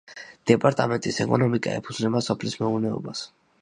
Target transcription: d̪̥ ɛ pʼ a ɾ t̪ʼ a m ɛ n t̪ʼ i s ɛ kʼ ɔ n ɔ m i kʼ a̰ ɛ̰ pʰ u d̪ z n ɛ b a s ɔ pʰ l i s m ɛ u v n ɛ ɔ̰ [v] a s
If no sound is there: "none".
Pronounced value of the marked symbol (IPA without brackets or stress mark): b